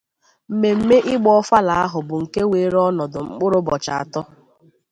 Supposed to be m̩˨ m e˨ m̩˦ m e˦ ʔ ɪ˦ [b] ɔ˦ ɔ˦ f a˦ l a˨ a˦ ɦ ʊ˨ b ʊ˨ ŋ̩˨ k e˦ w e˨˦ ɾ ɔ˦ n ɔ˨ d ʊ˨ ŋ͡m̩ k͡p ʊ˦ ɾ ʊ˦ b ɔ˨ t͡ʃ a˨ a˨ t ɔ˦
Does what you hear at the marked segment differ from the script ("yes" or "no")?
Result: yes